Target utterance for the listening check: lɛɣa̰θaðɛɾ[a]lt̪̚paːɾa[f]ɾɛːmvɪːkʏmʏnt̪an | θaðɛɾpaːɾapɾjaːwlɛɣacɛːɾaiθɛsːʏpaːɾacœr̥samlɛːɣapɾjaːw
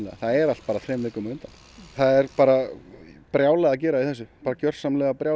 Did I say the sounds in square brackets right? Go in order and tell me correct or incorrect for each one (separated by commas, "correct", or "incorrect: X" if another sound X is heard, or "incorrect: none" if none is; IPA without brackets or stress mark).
correct, incorrect: θ